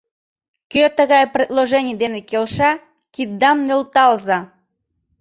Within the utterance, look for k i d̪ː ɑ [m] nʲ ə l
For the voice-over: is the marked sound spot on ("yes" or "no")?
yes